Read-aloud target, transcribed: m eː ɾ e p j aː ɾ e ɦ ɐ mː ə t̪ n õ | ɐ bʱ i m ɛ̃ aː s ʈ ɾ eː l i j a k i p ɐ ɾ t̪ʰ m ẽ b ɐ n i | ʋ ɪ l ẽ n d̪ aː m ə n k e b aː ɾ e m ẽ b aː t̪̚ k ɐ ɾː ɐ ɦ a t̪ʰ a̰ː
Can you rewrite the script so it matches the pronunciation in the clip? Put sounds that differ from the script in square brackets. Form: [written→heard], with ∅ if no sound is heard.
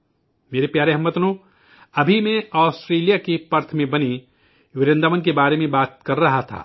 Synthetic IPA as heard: m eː ɾ e p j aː ɾ e ɦ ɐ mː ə t̪ n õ | ɐ bʱ i m [ɛ̃→ẽ] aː s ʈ ɾ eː l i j a k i p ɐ ɾ t̪ʰ m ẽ b ɐ n i | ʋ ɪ [l→ɾ] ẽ n d̪ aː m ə n k e b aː ɾ e m ẽ b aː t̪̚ k ɐ ɾː ɐ ɦ a t̪ʰ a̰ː

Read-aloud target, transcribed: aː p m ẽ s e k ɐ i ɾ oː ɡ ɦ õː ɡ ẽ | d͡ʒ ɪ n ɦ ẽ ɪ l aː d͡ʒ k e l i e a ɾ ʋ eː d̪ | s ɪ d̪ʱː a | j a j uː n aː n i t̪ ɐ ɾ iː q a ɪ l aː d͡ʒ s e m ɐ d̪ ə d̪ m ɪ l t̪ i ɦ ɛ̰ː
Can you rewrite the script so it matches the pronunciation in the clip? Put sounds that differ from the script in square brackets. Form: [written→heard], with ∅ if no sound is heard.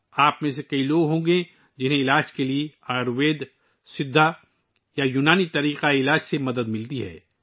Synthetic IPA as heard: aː p m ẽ s e k ɐ i [ɾ→l] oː ɡ ɦ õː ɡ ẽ | d͡ʒ ɪ n ɦ ẽ ɪ l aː d͡ʒ k e l i e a ɾ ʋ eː d̪ | s ɪ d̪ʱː a | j a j uː n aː n i t̪ ɐ ɾ iː q a ɪ l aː d͡ʒ s e m ɐ d̪ ə d̪ m ɪ l t̪ i ɦ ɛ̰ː

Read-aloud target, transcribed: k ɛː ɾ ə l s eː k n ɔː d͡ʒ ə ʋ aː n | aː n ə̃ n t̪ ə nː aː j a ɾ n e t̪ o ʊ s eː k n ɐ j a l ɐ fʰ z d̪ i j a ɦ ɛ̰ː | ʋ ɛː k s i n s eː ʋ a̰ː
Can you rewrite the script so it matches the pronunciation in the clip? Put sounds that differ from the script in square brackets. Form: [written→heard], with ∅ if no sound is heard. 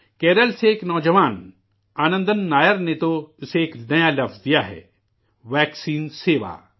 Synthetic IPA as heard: k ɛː ɾ ə l s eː k n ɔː d͡ʒ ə ʋ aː n | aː n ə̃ n [t̪→d̪] ə nː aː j [a→ə] ɾ n e t̪ o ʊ s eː k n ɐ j a l ɐ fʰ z d̪ i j a ɦ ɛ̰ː | ʋ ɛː k s [i→iː] n s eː ʋ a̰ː

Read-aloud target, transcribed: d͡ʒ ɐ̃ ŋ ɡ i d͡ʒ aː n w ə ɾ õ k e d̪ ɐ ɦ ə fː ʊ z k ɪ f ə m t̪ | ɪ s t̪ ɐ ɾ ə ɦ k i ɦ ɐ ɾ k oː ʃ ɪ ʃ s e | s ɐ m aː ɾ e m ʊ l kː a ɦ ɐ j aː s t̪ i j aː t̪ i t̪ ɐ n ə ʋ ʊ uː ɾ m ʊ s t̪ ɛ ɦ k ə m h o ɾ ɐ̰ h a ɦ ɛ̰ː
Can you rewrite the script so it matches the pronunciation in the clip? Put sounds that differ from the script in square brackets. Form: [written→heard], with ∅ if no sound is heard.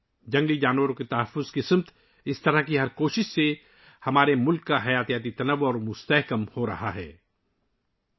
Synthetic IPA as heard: d͡ʒ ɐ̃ ŋ ɡ i d͡ʒ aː n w ə ɾ õ k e [d̪→t̪] ɐ ɦ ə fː ʊ z k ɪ [f→s] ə m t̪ | ɪ s t̪ ɐ ɾ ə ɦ k i ɦ ɐ ɾ k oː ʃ ɪ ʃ s e | [s→h] ɐ m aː ɾ e m ʊ l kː a ɦ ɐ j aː [s→∅] t̪ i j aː t̪ i t̪ ɐ n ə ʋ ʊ [uː→ɔː] ɾ m ʊ s t̪ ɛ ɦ k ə m h o ɾ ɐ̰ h a ɦ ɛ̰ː

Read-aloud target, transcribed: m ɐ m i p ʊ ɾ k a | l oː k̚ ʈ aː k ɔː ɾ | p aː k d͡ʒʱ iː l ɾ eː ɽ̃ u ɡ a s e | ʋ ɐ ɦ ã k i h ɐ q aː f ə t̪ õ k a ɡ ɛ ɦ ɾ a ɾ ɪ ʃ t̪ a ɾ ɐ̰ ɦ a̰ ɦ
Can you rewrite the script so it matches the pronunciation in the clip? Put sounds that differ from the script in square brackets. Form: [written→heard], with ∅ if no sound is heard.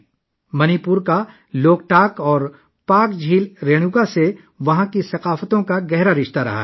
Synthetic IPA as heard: m ɐ [m→n] i p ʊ ɾ k a | l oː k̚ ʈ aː k ɔː ɾ | p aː k d͡ʒʱ iː l ɾ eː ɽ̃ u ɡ a s e | ʋ ɐ ɦ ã k i [h→s] ɐ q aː f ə t̪ õ k a ɡ ɛ ɦ ɾ a ɾ ɪ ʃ t̪ a ɾ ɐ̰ ɦ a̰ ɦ

